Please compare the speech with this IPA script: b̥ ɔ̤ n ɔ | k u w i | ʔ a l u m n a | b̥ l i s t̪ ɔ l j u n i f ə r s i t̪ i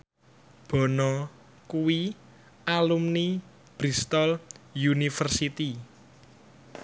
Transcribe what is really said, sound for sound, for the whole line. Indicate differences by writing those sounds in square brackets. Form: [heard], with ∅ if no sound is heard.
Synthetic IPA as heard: b̥ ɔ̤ n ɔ | k u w i | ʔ a l u m n [i] | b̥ [ɾ] i s t̪ ɔ l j u n i f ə r s i t̪ i